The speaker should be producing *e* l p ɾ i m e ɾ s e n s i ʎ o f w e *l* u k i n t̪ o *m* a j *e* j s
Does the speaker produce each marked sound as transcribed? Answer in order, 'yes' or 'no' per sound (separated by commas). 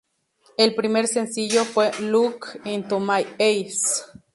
yes, yes, yes, yes